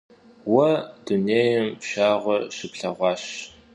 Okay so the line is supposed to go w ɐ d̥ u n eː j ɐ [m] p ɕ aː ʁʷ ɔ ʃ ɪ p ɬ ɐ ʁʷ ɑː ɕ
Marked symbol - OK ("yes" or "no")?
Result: yes